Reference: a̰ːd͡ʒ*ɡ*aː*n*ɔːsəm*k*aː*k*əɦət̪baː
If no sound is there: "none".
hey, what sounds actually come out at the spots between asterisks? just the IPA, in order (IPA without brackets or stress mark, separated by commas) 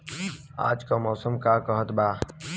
k, m, k, k